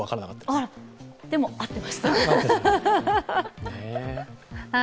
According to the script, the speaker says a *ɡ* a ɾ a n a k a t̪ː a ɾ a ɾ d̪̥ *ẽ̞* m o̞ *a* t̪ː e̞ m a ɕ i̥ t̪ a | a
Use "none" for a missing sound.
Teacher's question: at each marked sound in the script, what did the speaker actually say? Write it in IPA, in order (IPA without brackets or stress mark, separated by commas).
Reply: k, e̞, a